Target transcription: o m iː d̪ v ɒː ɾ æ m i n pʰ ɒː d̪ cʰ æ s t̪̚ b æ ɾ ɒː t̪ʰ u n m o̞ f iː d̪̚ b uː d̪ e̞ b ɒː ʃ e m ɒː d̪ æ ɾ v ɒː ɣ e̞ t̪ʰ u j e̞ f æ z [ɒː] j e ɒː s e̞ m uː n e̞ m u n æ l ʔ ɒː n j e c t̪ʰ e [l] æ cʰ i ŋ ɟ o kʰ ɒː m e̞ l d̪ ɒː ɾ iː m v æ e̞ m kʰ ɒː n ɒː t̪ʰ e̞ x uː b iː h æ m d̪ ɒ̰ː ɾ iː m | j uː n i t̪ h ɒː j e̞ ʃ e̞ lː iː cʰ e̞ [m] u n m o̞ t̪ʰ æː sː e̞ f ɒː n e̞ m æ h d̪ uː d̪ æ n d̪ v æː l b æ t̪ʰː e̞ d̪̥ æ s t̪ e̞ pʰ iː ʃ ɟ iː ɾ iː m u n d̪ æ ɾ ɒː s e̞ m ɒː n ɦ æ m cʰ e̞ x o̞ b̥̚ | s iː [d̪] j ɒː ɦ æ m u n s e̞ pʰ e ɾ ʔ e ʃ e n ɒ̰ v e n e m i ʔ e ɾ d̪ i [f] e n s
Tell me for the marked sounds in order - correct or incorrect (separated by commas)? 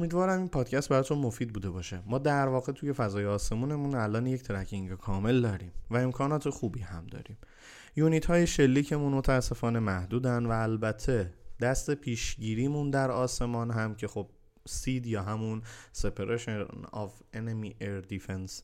correct, incorrect, correct, correct, correct